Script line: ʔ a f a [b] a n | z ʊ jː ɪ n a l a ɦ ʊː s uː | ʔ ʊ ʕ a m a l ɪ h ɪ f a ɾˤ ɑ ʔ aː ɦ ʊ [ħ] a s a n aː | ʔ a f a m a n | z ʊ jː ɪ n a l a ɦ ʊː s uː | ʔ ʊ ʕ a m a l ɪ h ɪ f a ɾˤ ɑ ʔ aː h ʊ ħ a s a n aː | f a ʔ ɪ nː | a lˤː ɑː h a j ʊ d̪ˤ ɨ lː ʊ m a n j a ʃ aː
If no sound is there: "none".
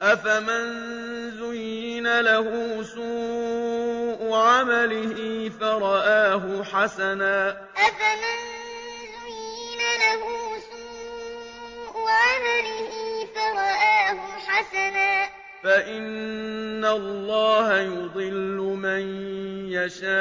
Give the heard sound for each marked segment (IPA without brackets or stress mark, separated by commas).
m, ħ